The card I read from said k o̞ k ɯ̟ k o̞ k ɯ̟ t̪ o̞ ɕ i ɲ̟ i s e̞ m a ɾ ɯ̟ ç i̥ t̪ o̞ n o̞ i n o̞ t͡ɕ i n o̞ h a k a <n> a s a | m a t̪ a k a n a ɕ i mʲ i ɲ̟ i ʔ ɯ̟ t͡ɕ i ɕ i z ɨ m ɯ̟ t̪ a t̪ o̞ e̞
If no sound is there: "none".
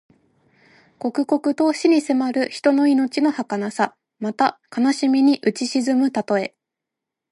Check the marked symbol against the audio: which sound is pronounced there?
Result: n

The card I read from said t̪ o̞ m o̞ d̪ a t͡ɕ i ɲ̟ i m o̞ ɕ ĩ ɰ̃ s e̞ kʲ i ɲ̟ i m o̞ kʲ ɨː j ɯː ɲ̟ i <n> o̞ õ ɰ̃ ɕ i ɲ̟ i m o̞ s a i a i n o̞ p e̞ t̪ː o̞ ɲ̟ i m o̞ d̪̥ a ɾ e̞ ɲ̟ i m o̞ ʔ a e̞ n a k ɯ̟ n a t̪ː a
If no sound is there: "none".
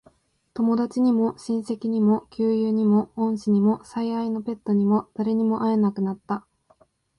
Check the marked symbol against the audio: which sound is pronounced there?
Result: m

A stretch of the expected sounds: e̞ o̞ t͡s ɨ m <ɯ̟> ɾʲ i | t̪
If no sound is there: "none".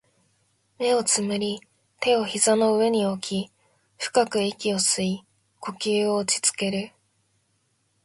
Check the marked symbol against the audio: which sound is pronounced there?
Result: ɯ̟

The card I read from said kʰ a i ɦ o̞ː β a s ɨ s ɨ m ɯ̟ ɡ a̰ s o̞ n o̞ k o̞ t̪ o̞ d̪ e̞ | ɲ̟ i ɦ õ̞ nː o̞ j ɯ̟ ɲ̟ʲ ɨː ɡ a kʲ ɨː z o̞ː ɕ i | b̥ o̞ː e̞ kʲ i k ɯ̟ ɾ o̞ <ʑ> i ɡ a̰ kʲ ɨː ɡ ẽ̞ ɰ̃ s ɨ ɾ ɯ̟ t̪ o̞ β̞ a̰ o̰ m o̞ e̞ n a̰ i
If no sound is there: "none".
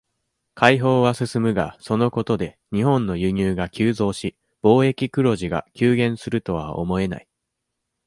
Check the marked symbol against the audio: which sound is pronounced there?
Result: ʑ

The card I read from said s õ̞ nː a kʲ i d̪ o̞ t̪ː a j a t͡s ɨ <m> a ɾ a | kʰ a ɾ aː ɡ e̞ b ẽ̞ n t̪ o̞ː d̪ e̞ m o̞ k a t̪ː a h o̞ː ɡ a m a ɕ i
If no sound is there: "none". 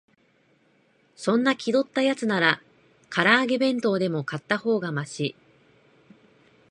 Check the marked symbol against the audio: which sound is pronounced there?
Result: n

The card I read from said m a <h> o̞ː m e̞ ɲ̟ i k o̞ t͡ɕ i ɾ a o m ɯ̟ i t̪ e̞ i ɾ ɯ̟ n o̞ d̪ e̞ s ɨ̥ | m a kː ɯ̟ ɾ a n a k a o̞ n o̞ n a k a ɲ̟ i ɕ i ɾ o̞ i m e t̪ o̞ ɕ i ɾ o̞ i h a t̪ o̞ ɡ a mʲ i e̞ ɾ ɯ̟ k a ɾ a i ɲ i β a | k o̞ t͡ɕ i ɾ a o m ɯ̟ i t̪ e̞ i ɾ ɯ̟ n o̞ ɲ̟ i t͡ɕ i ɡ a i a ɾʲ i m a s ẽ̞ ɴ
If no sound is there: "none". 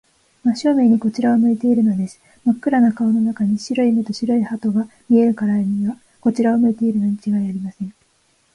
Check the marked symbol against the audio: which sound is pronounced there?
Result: ɕ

